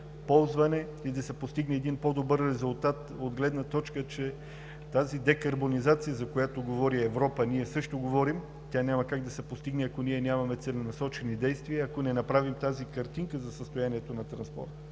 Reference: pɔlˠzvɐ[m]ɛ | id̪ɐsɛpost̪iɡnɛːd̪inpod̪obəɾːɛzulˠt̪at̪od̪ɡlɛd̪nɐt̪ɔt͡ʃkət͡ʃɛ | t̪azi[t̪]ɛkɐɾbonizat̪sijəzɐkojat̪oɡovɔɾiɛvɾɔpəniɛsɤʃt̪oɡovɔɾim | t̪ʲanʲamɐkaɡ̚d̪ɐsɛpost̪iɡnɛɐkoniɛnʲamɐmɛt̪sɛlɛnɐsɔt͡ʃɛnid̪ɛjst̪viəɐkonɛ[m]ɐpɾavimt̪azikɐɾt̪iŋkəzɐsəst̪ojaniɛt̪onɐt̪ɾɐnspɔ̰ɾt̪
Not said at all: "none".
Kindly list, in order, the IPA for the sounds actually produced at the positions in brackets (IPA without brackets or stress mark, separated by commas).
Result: n, d̪, n